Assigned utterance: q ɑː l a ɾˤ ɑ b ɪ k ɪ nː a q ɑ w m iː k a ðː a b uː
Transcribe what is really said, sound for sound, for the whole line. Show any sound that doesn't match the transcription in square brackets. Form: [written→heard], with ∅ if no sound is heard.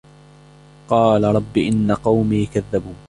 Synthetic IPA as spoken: q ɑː l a ɾˤ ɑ [b→bː] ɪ [k→ʔ] ɪ nː a q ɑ w m iː k a ðː a b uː